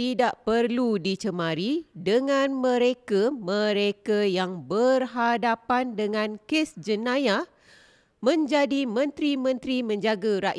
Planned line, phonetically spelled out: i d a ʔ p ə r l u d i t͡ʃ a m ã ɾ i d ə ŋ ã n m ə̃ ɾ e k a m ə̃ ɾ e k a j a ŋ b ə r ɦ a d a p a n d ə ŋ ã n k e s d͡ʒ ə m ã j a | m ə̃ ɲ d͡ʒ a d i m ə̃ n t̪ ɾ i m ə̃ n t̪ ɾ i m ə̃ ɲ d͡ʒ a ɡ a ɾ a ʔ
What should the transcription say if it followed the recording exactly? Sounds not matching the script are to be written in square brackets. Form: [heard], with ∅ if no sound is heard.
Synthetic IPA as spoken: i d a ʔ p ə r l u d i t͡ʃ [ə] m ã ɾ i d ə ŋ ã n m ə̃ ɾ e k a m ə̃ ɾ e k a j a ŋ b ə r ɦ a d a p a n d ə ŋ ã n k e s d͡ʒ ə [n] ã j a | m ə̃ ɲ d͡ʒ a d i m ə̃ n t̪ ɾ i m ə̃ n t̪ ɾ i m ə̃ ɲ d͡ʒ a ɡ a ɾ a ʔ

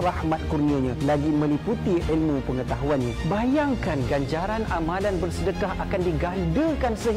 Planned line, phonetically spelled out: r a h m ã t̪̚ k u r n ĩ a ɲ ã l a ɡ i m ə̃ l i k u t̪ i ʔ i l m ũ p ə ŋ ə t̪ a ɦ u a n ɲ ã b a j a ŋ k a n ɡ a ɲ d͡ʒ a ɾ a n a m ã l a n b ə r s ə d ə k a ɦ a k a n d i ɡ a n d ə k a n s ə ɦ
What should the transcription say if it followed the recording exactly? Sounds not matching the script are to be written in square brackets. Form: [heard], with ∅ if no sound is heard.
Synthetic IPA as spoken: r a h m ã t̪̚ k u r n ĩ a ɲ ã l a ɡ i m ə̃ l i [p] u t̪ i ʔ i l m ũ p ə ŋ ə t̪ a ɦ u a n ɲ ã b a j a ŋ k a n ɡ a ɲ d͡ʒ a ɾ a n a m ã l a n b ə r s ə d ə k a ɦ a k a n d i ɡ a n d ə k a n s ə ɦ

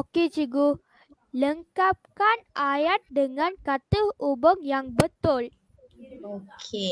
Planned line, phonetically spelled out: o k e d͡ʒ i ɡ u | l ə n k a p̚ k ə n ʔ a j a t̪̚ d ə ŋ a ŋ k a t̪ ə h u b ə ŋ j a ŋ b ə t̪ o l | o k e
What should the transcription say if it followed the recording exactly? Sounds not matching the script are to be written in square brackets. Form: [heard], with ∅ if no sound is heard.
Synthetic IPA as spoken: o k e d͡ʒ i ɡ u | l ə [ŋ] k a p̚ k [a] n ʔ a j a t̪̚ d ə ŋ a [n] k a t̪ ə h u b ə ŋ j a ŋ b ə t̪ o l | o k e

